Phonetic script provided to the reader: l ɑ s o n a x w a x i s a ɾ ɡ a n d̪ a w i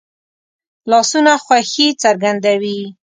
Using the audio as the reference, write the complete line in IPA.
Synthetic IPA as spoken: l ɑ s u n a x w a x i t͡s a ɾ ɡ a n d̪ a w i